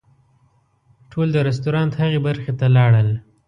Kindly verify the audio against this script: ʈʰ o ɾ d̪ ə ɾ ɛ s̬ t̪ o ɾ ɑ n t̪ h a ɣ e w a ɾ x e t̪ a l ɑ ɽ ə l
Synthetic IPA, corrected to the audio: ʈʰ o l d̪ ə ɾ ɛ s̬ t̪ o ɾ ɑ n t̪ h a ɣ e b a ɾ x e t̪ a l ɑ ɽ ə l